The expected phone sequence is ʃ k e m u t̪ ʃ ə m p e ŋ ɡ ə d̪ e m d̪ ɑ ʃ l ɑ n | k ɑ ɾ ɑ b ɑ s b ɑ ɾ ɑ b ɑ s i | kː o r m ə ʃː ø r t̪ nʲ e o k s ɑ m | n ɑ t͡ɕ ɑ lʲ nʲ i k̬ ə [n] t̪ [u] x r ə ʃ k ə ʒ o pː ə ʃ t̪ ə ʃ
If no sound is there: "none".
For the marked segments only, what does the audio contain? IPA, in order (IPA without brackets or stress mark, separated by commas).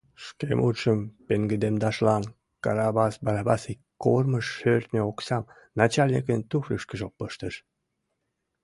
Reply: n, u